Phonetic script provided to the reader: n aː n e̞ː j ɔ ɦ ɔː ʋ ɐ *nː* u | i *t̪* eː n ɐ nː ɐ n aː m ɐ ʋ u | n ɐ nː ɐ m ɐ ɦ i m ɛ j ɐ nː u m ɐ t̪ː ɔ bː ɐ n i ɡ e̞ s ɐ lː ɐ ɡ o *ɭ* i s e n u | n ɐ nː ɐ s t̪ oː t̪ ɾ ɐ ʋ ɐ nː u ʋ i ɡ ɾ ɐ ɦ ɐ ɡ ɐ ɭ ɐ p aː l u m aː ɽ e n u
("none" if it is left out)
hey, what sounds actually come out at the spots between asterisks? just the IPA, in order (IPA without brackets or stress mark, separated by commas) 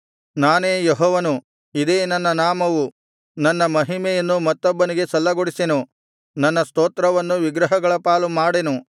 n, d̪, ɽ